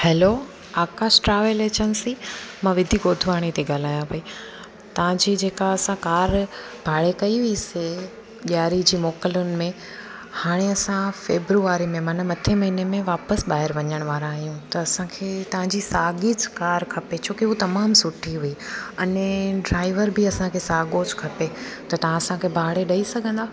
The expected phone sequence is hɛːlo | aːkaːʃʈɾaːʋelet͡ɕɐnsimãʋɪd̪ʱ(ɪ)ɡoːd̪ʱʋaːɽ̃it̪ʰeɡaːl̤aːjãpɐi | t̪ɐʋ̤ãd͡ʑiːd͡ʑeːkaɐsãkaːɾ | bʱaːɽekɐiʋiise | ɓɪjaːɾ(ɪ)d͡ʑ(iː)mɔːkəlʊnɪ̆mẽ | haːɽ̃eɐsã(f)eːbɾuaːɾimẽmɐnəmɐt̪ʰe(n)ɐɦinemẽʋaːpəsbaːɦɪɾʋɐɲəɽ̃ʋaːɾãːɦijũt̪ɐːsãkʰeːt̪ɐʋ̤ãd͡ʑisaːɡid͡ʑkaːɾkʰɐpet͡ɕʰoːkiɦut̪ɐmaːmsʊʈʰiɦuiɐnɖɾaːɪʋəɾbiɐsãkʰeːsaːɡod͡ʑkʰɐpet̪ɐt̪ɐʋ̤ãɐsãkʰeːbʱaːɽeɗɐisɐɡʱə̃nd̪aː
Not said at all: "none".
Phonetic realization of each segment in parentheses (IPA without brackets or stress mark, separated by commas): i, i, iː, f, m